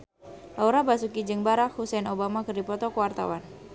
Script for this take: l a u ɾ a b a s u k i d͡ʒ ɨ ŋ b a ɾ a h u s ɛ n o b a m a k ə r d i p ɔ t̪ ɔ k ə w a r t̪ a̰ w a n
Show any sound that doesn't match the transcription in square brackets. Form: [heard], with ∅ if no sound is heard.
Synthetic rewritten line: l a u ɾ a b a s u k i d͡ʒ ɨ ŋ b a ɾ a h u s ɛ n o b a m a k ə r d i p ɔ t̪ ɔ k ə w a r t̪ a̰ w a n